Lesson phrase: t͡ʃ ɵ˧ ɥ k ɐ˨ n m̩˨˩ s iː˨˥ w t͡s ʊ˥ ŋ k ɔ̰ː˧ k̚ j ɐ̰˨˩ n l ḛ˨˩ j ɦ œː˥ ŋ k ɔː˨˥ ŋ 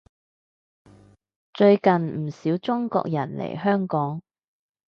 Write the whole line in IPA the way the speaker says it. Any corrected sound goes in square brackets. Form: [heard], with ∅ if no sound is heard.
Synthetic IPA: t͡ʃ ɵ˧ ɥ k ɐ˨ n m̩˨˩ s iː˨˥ w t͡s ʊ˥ ŋ k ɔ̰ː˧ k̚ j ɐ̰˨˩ n l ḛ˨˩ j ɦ œː˥ ŋ k ɔː˨˥ ŋ